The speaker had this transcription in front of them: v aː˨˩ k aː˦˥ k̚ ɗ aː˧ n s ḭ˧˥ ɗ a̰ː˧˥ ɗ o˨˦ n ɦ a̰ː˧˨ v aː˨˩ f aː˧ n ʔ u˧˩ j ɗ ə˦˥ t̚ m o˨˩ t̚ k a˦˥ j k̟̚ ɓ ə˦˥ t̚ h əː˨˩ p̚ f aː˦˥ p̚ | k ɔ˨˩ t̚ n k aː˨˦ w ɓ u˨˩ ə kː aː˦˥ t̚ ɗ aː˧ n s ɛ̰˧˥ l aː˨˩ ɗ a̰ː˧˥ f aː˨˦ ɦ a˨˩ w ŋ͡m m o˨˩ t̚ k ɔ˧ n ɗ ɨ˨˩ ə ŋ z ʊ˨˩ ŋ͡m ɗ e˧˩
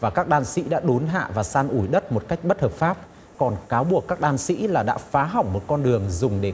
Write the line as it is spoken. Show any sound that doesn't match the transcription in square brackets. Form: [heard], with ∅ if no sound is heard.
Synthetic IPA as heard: v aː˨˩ k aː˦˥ k̚ ɗ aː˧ n s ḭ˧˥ ɗ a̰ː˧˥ ɗ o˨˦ n ɦ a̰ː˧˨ v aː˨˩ [s] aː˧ n ʔ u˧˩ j ɗ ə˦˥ t̚ m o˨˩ t̚ k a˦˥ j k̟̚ ɓ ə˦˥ t̚ h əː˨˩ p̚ f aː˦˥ p̚ | k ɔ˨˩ [∅] n k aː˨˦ w ɓ u˨˩ ə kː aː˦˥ [k̚] ɗ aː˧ n s [ḭ˧˥] l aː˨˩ ɗ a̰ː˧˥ f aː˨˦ ɦ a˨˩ w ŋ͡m m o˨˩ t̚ k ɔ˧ n ɗ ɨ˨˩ ə ŋ z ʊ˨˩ ŋ͡m ɗ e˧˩

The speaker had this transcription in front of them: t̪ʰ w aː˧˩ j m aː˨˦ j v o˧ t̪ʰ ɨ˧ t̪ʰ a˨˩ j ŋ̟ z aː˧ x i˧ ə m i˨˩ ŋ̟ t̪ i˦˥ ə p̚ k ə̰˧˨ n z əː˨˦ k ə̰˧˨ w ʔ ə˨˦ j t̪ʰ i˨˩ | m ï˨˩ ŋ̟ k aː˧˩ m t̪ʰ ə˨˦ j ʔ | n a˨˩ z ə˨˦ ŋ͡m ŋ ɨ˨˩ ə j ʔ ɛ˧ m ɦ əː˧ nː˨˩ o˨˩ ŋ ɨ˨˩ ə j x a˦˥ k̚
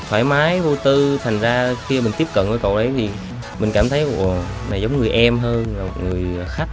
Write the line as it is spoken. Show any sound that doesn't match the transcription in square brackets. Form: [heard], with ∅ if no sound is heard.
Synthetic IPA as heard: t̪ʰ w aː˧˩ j m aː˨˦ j v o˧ [t̪] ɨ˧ t̪ʰ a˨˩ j ŋ̟ z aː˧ x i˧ ə m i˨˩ ŋ̟ t̪ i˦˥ ə p̚ k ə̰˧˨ n [v] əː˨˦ k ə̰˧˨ w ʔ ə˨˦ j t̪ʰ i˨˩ | m ï˨˩ ŋ̟ k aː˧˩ m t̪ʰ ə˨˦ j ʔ | n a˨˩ z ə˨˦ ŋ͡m ŋ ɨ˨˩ ə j ʔ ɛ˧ m ɦ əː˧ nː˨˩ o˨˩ ŋ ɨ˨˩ ə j x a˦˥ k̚

